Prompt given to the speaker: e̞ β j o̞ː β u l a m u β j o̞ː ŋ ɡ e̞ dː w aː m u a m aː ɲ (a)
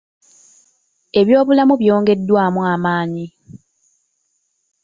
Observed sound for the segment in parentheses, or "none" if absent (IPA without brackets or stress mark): i